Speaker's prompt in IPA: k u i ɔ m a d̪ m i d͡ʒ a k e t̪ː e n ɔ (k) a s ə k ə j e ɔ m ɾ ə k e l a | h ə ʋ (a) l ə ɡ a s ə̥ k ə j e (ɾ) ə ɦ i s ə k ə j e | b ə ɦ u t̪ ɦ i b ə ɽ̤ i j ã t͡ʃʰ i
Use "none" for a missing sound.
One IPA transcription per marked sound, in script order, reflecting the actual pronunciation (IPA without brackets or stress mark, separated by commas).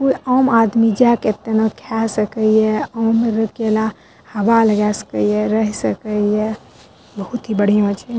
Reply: kʰ, a, ɾ